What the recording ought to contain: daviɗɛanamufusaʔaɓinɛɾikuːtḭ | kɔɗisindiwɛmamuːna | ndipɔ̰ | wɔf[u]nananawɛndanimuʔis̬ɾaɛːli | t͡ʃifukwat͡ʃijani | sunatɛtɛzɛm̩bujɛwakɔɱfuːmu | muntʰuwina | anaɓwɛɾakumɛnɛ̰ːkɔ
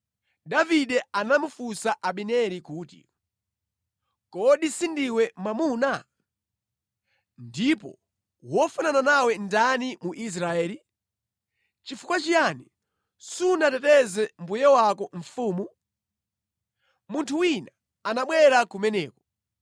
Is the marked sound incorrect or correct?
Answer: correct